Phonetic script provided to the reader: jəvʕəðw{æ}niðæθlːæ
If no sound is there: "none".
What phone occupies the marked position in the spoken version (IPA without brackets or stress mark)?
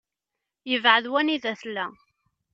æ